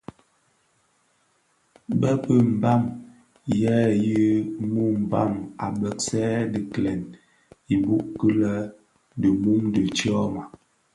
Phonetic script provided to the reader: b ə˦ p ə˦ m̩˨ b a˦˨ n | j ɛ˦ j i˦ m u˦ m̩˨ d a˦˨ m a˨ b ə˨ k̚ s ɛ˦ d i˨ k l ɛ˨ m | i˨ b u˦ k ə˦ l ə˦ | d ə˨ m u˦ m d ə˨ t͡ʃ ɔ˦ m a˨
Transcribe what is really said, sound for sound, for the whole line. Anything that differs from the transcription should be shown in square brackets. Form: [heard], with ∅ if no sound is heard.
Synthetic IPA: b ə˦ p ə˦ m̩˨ b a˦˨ [m] | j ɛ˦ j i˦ m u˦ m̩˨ [b] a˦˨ m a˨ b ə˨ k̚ s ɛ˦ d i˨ k l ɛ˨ [n] | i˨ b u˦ k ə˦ l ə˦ | d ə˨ m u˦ m d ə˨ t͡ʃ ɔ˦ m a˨